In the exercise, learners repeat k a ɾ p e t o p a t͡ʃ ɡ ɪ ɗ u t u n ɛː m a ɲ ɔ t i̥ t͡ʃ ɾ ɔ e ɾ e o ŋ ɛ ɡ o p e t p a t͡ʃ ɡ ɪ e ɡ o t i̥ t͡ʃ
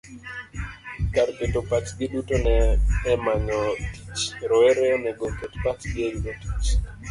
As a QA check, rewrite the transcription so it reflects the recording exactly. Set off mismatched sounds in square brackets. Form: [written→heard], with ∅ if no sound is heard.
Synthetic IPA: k a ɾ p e t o p a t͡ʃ ɡ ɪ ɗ u t [u→o] n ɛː m a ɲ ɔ t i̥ t͡ʃ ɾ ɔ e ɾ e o [ŋ→n] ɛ ɡ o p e t p a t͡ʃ ɡ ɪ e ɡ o t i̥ t͡ʃ